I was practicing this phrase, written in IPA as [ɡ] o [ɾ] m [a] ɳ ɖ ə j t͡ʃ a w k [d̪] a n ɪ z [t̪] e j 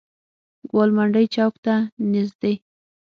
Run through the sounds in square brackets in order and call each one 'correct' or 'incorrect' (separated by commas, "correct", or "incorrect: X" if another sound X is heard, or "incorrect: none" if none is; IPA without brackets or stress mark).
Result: correct, incorrect: l, correct, incorrect: t̪, incorrect: d̪